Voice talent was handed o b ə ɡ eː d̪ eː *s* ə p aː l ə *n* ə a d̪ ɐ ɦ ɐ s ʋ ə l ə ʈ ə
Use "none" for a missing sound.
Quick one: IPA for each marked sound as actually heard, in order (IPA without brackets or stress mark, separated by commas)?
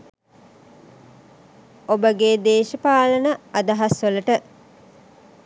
ʃ, n